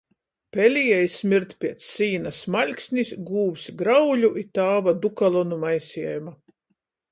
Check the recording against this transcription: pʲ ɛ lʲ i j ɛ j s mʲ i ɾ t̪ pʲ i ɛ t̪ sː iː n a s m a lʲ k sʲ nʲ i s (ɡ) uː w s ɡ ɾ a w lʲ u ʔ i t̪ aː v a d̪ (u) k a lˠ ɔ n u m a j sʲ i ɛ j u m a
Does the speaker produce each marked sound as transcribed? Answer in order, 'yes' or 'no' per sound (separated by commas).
yes, yes